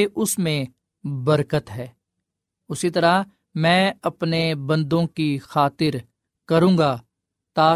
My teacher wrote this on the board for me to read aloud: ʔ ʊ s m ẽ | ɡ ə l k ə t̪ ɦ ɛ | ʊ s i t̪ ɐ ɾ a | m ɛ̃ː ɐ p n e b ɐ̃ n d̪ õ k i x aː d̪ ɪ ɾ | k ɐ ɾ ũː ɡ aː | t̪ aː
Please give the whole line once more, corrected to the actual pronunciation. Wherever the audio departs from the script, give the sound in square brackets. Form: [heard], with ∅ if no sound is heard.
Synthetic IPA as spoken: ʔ ʊ s m ẽ | [b] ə [ɾ] k ə t̪ ɦ [ɛː] | ʊ s i t̪ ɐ ɾ a | m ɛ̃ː ɐ p n e b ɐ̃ n d̪ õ k i x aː [t̪] ɪ ɾ | k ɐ ɾ ũː ɡ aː | t̪ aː